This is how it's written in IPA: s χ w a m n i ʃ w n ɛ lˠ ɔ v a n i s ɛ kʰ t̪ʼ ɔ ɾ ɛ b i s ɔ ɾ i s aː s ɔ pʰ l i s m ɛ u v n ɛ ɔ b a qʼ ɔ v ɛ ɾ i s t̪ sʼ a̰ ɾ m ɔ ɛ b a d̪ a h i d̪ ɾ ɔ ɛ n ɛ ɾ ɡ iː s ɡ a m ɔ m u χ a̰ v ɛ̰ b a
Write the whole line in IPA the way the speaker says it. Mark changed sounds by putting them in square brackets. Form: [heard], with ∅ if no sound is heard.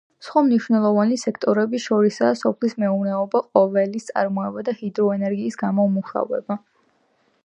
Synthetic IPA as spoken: s χ w a m n i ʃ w n ɛ lˠ ɔ v a n i s ɛ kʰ t̪ʼ ɔ ɾ ɛ b i [ʃ] ɔ ɾ i s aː s ɔ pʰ l i s m ɛ u v n ɛ ɔ b a qʼ ɔ v ɛ [l] i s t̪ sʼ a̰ ɾ m ɔ ɛ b a d̪ a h i d̪ ɾ ɔ ɛ n ɛ ɾ ɡ iː s ɡ a m ɔ m u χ a̰ v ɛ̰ b a